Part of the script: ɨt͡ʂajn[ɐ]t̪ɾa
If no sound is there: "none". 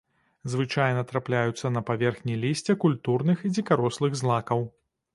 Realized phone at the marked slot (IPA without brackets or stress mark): ɐ